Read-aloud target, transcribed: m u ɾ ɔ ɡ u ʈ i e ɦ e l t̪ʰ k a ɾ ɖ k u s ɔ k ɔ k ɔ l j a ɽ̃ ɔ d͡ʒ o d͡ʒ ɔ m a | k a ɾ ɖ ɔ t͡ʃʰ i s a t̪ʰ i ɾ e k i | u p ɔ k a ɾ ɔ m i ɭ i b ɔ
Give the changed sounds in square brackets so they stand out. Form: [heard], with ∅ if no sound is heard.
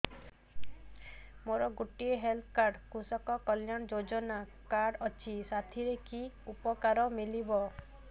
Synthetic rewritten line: m [o] ɾ ɔ ɡ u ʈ i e ɦ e l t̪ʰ k a ɾ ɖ k u s ɔ k ɔ k ɔ l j a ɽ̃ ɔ d͡ʒ o d͡ʒ ɔ [n] a | k a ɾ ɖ ɔ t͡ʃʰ i s a t̪ʰ i ɾ e k i | u p ɔ k a ɾ ɔ m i [l] i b ɔ